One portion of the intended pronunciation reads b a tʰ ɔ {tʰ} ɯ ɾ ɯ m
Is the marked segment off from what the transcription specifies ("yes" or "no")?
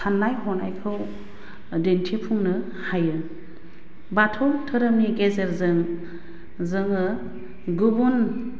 no